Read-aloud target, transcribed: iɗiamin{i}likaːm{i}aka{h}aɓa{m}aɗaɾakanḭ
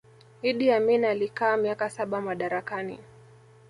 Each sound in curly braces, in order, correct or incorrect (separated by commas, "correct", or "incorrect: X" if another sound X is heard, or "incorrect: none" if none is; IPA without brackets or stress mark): incorrect: a, correct, incorrect: s, correct